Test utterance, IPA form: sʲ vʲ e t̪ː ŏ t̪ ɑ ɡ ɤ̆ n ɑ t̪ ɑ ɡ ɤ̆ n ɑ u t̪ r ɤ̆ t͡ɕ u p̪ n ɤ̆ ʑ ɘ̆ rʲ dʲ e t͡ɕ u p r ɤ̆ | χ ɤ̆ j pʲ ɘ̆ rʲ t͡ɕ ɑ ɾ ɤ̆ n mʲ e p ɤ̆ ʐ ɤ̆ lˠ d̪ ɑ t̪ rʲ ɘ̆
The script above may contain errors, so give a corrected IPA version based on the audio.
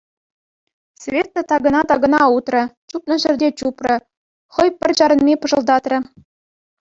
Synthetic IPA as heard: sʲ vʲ e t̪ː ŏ t̪ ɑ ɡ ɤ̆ n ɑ t̪ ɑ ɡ ɤ̆ n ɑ u t̪ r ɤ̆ t͡ɕ u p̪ n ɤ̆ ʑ ɘ̆ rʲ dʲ e t͡ɕ u p r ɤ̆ | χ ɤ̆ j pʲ ɘ̆ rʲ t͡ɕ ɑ ɾ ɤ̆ n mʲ e p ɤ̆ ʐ ɤ̆ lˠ d̪ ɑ t̪ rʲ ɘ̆